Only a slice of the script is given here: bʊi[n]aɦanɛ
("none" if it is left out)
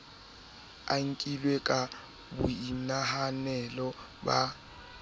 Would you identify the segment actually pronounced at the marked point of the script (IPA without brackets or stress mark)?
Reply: n